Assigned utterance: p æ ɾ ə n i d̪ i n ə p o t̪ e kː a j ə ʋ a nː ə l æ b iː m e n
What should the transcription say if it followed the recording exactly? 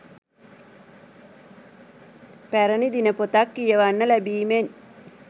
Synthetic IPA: p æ ɾ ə n i d̪ i n ə p o t̪ a kː i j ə ʋ a nː ə l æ b iː m e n